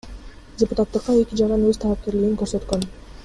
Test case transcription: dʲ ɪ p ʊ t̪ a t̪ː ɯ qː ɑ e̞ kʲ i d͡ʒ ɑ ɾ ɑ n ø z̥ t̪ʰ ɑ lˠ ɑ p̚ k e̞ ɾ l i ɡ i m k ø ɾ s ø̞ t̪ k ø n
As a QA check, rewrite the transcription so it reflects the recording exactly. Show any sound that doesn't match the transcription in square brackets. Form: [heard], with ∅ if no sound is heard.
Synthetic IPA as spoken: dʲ ɪ p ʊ t̪ a t̪ː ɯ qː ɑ e̞ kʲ i d͡ʒ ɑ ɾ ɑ n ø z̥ t̪ʰ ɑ lˠ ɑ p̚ k e̞ ɾ l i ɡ i [ŋ] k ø ɾ s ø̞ t̪ k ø n